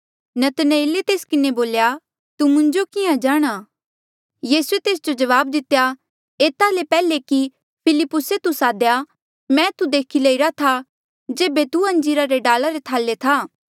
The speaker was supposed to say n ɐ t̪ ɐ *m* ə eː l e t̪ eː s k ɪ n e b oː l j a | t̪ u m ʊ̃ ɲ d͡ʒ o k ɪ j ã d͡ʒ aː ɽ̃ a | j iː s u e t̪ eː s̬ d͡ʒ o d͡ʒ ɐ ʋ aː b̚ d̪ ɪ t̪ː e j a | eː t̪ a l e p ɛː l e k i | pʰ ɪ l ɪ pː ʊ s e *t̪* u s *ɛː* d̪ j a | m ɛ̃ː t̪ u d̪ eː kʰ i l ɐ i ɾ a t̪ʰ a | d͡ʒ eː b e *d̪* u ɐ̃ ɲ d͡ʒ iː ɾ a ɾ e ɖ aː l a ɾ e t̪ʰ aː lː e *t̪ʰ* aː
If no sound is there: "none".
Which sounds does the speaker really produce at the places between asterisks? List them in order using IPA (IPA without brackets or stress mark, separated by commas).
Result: n, t̪, aː, t̪, t̪ʰ